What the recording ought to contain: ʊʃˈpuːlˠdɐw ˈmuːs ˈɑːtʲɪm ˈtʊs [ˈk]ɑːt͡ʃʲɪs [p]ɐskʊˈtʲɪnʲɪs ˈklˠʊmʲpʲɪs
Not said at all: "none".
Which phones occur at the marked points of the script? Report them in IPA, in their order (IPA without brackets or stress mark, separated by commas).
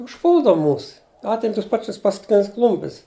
p, p